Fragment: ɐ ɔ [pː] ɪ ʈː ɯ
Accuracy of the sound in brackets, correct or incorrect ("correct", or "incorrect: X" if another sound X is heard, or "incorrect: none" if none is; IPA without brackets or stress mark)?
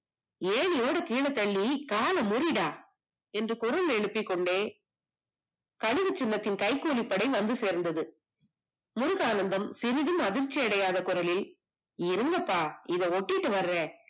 incorrect: ʈː